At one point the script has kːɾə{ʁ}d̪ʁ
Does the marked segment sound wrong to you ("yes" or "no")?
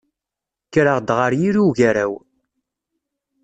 no